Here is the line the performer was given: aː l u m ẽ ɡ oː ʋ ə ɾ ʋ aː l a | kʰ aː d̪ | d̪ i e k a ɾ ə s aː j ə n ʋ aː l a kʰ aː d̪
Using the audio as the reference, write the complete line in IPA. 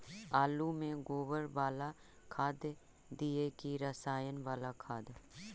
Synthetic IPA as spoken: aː l u m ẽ ɡ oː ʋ ə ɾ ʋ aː l a | kʰ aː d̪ | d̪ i e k i ɾ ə s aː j ə n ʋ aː l a kʰ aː d̪